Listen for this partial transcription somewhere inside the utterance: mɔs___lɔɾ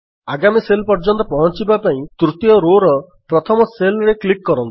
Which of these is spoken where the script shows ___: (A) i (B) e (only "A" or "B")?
B